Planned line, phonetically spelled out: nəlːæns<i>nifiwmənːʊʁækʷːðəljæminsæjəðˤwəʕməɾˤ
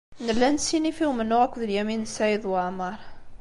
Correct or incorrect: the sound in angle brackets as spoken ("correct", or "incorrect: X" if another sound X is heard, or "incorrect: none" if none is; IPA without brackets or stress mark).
correct